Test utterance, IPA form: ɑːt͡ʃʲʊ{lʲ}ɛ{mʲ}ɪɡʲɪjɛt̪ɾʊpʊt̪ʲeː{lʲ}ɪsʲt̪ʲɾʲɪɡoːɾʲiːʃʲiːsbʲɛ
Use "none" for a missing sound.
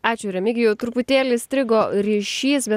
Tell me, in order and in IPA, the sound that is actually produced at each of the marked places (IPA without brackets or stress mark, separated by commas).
ɾʲ, mʲ, lʲ